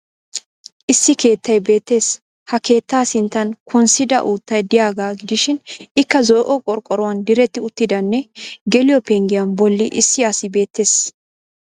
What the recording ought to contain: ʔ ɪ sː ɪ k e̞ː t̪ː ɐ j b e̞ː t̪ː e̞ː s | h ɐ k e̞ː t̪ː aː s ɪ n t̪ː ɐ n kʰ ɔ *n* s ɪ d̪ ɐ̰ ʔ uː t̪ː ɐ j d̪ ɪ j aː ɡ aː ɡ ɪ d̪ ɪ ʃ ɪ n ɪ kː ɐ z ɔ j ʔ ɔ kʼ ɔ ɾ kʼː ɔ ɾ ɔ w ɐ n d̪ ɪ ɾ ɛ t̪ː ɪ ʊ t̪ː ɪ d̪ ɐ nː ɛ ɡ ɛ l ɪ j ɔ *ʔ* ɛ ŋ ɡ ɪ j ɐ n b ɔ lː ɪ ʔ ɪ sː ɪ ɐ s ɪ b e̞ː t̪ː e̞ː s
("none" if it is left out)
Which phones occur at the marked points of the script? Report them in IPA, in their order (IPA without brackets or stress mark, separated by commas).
n, p